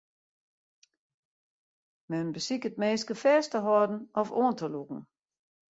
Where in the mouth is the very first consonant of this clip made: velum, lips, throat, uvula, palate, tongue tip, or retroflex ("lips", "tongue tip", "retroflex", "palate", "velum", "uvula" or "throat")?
lips